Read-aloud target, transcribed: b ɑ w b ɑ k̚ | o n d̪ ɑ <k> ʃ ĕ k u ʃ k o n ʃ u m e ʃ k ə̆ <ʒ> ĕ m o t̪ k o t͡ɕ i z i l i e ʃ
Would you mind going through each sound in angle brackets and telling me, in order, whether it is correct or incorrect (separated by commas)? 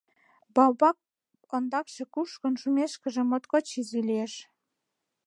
correct, correct